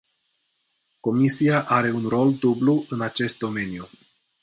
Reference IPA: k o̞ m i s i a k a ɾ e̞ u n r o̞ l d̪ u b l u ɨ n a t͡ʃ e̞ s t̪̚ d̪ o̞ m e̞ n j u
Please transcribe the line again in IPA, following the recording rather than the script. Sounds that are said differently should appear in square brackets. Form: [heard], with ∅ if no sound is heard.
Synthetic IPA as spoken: k o̞ m i s i a [ʔ] a ɾ e̞ u n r o̞ l d̪ u b l u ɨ n a t͡ʃ e̞ s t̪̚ d̪ o̞ m e̞ n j u

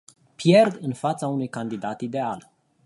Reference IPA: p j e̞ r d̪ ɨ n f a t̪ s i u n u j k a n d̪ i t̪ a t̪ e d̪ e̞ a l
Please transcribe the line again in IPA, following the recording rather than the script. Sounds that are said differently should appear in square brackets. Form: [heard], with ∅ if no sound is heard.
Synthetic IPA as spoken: p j e̞ r d̪ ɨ n f a t̪ s [a] u n u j k a n d̪ i [d̪] a t̪ [i] d̪ e̞ a l

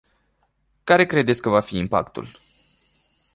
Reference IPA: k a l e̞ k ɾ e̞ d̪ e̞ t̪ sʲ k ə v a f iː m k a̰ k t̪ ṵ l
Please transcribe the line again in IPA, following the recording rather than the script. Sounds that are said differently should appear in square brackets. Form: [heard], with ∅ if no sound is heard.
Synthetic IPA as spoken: k a [ɾ] e̞ k ɾ e̞ d̪ e̞ t̪ sʲ k ə v a f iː m [p] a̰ k t̪ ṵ l

